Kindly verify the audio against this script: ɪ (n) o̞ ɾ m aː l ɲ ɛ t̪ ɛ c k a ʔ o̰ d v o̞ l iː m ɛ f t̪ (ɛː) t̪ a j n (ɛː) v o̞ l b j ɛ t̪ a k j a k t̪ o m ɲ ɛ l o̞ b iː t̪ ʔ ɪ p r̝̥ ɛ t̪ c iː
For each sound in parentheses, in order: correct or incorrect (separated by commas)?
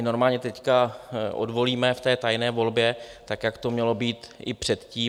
correct, correct, correct